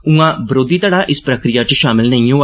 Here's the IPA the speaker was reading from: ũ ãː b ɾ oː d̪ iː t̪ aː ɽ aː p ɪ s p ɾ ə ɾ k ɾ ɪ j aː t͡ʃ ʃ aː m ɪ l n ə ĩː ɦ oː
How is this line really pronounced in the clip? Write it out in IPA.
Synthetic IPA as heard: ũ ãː b ɾ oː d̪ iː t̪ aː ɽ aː ʔ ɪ s p ɾ ə k ɾ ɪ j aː t͡ʃ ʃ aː m ɪ l n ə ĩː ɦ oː